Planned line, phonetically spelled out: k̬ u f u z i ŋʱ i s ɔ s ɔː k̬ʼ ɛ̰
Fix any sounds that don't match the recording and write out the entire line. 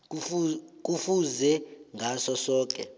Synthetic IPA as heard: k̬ u f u z ɛ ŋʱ a s ɔ s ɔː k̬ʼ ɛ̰